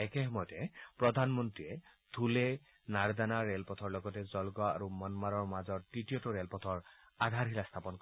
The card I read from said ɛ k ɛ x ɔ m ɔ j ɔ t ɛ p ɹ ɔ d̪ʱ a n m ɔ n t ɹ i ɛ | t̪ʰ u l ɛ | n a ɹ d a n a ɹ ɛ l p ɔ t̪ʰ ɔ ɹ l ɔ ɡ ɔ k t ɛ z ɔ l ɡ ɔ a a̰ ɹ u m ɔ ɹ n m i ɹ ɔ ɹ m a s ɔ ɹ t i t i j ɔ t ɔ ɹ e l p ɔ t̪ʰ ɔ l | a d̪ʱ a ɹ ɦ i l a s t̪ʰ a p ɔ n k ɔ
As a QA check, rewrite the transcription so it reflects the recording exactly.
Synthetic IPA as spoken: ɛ k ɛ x ɔ m ɔ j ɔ t ɛ p ɹ ɔ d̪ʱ a n m ɔ n t ɹ i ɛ | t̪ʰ u l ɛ | n a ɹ d a n a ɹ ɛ l p ɔ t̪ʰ ɔ ɹ l ɔ ɡ ɔ t ɛ z ɔ l ɡ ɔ a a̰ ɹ u m ɔ n m a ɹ ɔ ɹ m a z ɔ ɹ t i t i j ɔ t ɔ ɹ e l p ɔ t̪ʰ ɔ ɹ | a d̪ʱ a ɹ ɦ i l a s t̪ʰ a p ɔ n k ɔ